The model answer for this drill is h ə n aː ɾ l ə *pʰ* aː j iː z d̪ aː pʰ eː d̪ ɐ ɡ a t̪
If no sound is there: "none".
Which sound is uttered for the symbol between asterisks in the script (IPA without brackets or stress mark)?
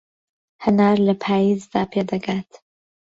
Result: pʰ